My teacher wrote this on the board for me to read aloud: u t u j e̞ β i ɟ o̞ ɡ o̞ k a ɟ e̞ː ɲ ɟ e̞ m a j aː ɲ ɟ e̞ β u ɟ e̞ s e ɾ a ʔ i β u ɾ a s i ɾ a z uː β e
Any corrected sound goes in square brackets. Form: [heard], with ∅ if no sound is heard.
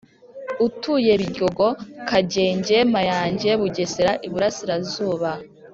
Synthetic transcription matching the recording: u t u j e̞ β i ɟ o̞ ɡ o̞ k a ɟ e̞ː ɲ ɟ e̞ m a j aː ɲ ɟ e̞ β u ɟ e̞ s e ɾ a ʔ i β u ɾ a s i ɾ a z uː β [a]